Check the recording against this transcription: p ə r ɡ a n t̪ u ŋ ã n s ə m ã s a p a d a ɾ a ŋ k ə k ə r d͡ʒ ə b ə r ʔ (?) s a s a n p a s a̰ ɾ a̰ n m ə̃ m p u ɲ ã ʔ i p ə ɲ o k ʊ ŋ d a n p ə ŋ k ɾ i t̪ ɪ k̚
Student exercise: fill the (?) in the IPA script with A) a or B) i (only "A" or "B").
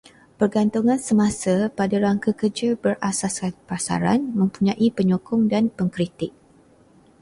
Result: A